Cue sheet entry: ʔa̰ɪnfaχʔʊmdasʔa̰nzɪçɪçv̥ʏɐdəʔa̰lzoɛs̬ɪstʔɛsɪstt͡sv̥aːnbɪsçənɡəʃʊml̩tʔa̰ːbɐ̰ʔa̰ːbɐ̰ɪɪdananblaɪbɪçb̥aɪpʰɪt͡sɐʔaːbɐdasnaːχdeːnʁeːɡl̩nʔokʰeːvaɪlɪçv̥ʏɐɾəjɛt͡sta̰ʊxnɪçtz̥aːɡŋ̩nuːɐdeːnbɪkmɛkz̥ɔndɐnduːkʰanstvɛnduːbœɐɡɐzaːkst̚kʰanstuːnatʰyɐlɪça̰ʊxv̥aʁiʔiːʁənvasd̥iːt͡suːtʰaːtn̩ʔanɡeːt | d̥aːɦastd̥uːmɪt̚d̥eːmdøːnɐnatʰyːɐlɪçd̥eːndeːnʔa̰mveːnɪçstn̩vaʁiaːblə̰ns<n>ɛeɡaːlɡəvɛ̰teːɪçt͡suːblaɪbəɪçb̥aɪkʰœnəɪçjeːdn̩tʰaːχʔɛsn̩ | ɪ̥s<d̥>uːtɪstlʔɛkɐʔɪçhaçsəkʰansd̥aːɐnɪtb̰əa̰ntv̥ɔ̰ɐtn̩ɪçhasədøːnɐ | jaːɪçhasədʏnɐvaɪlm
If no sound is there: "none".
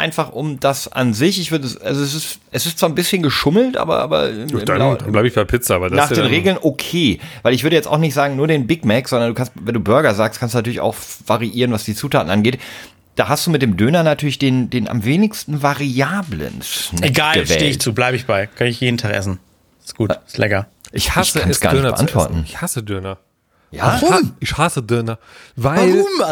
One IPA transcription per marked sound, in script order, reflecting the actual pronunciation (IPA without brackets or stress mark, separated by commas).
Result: n, ɡ̥